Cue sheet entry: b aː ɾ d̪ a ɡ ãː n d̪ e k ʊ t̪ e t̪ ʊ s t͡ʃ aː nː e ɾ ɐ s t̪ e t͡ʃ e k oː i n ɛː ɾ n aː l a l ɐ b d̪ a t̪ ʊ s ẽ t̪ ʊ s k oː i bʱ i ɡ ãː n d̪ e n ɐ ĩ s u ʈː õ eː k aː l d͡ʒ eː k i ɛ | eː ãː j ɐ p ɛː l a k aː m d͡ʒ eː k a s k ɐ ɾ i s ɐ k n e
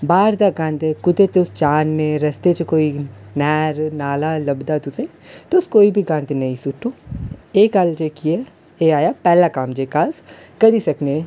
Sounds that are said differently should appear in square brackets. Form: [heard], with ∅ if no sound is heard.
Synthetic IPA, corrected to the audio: b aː ɾ d̪ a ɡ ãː n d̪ e k ʊ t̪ e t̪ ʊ s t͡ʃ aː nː e ɾ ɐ s t̪ e t͡ʃ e k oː i n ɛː ɾ n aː l a l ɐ b d̪ a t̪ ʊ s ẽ t̪ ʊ s k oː i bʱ i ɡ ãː n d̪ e n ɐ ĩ s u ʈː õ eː k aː l d͡ʒ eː k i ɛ | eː [aː] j [a] p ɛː l a k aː m d͡ʒ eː k a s k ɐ ɾ i s ɐ k n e